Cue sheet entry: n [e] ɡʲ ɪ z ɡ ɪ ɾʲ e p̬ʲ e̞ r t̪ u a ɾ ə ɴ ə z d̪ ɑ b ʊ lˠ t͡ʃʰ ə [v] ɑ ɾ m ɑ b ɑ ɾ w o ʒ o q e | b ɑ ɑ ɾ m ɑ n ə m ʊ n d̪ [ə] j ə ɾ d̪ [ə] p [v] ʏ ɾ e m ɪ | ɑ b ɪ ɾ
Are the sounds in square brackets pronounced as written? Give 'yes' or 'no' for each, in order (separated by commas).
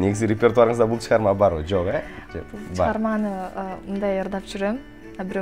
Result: yes, no, no, no, no